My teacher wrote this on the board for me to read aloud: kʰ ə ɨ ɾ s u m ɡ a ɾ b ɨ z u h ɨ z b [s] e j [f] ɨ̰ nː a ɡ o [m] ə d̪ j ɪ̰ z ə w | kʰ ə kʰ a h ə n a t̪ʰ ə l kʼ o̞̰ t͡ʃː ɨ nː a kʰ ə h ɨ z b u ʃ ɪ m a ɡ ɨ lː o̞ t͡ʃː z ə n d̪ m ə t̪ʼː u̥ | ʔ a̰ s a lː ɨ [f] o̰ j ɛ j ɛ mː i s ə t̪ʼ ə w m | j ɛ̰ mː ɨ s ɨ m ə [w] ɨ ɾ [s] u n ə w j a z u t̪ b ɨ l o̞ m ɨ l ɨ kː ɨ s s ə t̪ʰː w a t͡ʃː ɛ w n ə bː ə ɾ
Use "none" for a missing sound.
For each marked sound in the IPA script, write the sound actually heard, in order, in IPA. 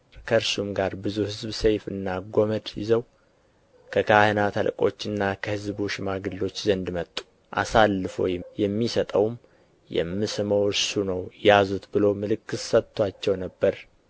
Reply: s, f, m, f, w, s

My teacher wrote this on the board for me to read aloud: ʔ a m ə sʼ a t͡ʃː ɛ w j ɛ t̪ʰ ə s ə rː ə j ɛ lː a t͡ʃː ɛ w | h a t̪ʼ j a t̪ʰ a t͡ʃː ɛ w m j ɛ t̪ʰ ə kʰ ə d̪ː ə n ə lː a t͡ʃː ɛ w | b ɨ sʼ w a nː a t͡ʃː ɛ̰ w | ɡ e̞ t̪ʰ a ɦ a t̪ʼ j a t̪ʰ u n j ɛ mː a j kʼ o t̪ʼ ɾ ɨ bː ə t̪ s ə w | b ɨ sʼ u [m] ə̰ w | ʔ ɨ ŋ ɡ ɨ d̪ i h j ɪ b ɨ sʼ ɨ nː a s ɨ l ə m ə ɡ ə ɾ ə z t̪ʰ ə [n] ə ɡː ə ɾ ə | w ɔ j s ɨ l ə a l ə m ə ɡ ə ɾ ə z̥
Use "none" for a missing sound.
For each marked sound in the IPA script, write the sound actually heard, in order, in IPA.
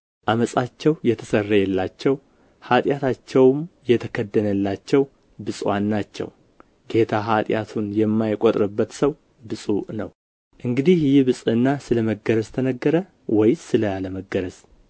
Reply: n, n

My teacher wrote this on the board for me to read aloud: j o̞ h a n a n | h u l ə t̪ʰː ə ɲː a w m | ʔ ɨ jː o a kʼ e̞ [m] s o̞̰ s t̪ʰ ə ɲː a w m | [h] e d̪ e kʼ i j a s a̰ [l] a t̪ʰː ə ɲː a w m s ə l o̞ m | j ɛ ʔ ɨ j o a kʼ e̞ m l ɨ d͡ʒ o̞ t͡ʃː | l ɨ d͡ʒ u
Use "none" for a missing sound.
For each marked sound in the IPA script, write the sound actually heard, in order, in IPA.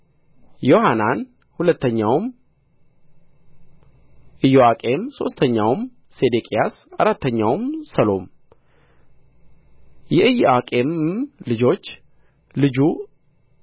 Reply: m, s, ɾ

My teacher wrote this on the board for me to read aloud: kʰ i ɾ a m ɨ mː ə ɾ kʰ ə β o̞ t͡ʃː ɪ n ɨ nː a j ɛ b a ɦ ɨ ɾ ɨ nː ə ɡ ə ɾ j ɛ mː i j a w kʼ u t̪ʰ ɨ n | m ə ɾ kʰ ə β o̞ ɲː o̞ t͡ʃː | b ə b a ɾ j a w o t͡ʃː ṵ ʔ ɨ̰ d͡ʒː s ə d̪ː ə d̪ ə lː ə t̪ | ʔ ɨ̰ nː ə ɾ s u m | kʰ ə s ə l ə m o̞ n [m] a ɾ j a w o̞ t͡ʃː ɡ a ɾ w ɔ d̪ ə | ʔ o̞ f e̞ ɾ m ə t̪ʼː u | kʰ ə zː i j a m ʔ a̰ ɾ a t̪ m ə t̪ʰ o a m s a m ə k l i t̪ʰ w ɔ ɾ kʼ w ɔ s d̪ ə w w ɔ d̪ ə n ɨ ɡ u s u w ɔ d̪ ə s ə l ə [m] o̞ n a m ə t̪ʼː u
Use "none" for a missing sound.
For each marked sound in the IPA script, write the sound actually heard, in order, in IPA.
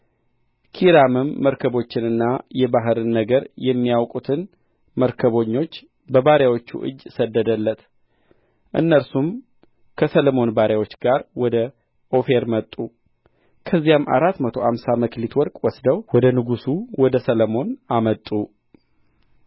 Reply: b, m

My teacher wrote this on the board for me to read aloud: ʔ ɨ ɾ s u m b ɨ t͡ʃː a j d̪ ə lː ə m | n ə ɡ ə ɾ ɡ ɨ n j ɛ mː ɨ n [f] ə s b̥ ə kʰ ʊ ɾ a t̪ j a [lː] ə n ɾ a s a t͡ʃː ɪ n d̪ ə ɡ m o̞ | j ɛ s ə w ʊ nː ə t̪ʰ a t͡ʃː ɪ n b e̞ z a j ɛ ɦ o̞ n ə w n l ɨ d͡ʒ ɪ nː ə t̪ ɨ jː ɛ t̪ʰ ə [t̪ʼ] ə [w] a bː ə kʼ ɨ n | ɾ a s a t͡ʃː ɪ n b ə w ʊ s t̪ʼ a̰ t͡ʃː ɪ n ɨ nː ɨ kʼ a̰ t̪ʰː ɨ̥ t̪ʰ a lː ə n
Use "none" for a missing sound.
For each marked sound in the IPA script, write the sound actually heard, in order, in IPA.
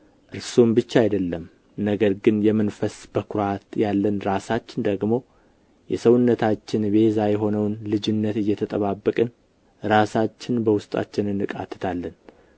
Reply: f, lː, t̪ʼ, β

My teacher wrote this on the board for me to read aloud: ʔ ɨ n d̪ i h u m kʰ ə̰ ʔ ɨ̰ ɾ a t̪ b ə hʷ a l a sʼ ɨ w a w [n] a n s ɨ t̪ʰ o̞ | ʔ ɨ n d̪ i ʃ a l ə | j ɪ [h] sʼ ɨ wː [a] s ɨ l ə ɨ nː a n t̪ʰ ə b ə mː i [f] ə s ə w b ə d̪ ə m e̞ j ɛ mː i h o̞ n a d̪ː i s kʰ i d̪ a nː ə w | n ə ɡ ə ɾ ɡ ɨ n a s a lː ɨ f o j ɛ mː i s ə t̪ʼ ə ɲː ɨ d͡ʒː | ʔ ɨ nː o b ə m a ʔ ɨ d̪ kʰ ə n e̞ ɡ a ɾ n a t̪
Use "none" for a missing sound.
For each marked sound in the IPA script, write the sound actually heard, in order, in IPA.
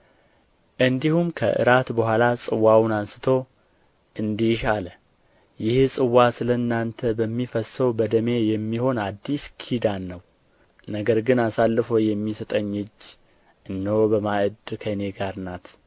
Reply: n, h, a, f

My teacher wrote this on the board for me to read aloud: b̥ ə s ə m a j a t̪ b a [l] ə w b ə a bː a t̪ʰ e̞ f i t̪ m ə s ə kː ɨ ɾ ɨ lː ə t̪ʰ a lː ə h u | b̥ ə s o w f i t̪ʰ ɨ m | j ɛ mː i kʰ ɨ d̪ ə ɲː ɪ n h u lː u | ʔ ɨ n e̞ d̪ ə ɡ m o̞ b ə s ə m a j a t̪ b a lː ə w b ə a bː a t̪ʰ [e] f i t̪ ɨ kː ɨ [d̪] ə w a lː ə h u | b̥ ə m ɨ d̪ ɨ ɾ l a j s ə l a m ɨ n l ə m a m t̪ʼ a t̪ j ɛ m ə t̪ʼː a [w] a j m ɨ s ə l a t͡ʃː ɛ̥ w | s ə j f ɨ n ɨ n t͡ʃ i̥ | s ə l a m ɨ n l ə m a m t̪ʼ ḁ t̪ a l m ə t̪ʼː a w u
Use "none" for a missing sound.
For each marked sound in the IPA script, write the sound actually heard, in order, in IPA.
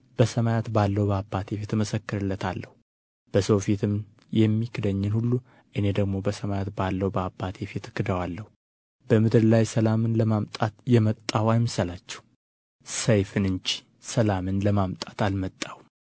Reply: lː, e, d̪, w

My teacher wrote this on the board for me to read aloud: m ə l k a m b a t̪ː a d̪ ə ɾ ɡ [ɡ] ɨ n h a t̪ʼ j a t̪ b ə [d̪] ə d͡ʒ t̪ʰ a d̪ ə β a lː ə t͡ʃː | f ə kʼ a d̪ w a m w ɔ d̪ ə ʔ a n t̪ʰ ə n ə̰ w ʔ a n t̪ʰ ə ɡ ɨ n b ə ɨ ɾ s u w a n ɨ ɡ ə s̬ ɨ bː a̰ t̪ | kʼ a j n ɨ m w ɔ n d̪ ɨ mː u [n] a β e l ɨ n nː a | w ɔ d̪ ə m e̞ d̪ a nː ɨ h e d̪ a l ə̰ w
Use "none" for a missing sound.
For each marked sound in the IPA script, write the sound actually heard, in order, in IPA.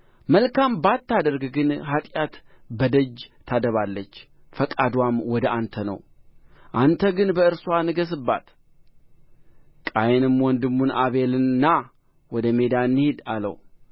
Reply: ɡ, d̪, n

